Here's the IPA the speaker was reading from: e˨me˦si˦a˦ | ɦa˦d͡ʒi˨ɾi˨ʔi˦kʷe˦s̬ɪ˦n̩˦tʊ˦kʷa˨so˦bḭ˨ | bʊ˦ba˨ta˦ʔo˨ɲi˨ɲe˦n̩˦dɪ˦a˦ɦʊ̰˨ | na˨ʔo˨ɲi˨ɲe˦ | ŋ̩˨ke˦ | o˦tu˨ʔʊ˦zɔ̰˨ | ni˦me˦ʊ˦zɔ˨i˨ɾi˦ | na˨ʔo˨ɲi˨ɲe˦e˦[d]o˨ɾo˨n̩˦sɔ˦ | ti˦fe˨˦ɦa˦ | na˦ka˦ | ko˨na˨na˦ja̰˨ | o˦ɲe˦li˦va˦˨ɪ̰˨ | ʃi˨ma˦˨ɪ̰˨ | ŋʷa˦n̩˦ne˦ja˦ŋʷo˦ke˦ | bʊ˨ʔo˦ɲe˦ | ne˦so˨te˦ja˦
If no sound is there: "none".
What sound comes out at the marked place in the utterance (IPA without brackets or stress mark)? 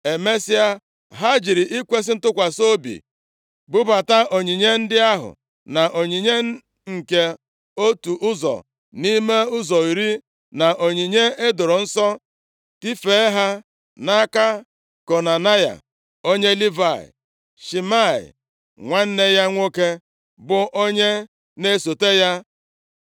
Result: d